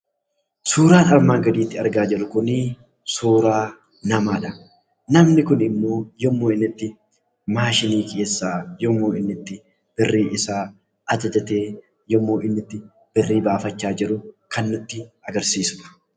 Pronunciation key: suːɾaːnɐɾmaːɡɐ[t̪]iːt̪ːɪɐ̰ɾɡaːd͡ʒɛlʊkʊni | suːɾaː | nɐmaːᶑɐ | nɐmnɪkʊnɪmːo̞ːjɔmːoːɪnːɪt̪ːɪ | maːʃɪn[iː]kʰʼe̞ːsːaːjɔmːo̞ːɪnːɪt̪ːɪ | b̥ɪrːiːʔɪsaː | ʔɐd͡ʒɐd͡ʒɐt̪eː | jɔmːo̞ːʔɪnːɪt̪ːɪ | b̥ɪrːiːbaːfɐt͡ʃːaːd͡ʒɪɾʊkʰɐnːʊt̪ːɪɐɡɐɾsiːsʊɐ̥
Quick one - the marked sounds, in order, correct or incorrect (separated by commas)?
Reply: incorrect, correct